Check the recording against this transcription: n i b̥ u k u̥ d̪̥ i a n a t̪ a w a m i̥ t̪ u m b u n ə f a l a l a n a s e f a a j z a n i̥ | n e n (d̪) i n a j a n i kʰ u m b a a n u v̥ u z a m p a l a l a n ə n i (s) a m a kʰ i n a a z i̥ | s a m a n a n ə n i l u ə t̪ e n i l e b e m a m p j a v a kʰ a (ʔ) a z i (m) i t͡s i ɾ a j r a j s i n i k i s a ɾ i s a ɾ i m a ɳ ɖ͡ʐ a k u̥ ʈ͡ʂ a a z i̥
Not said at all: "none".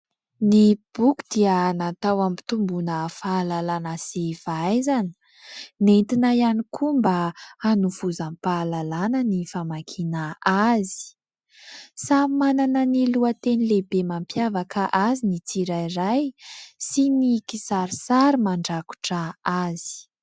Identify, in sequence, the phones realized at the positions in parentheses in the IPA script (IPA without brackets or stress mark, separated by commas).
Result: t̪, f, ʔ, n